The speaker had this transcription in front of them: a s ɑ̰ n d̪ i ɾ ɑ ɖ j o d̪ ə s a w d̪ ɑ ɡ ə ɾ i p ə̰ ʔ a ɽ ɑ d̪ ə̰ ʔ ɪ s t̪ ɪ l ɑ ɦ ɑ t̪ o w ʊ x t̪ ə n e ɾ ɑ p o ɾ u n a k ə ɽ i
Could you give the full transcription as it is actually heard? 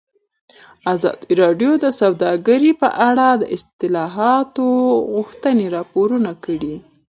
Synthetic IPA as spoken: a z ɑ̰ d̪ i ɾ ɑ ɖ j o d̪ ə s a w d̪ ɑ ɡ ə ɾ i p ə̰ ʔ a ɽ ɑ d̪ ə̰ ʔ ɪ s t̪ ɪ l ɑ ɦ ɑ t̪ o ɣ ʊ x t̪ ə n e ɾ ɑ p o ɾ u n a k ə ɽ i